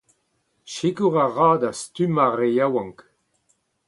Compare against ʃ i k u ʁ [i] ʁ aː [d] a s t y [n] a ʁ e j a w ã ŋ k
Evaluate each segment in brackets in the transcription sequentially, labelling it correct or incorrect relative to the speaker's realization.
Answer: incorrect: a, correct, incorrect: m

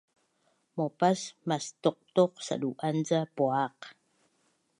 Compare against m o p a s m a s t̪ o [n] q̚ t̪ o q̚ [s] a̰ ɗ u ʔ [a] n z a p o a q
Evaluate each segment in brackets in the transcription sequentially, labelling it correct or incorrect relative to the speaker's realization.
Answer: incorrect: none, correct, correct

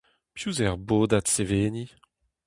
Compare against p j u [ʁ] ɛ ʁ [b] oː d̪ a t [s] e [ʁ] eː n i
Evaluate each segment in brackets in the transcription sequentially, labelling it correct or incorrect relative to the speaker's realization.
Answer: incorrect: z, correct, correct, incorrect: v

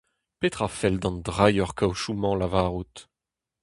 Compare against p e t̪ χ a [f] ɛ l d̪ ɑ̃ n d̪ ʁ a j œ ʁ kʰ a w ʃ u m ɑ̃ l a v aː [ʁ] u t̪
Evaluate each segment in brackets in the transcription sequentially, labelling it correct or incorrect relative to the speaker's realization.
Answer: correct, correct

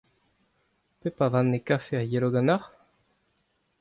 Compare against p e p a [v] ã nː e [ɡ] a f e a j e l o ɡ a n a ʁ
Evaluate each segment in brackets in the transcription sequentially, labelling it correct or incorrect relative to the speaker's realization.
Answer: correct, incorrect: k

